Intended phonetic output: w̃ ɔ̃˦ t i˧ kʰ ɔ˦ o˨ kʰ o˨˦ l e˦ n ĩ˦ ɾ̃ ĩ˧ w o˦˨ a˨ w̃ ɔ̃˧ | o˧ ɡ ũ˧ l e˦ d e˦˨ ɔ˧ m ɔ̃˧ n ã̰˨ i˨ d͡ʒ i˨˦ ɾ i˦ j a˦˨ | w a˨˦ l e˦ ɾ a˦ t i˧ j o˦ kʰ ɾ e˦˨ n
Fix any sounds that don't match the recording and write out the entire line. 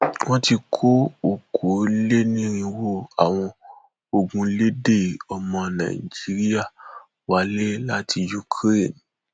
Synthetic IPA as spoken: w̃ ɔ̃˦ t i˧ kʰ o˦ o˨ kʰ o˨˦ l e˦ n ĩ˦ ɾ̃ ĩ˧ w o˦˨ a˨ w̃ ɔ̃˧ | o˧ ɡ ũ˧ l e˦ d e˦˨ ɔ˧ m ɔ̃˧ n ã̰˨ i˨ d͡ʒ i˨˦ ɾ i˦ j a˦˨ | w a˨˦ l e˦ l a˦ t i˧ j u˦ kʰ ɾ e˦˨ n